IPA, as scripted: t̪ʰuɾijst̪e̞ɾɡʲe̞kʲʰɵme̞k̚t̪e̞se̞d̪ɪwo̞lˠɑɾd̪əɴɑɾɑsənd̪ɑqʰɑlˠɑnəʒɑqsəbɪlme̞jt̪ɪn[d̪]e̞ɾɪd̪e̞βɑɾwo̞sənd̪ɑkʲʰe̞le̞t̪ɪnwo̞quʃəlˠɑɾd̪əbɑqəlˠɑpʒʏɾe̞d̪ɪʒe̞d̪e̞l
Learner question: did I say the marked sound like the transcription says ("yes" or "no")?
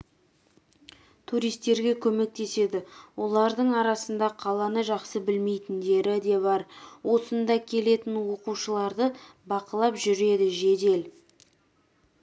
yes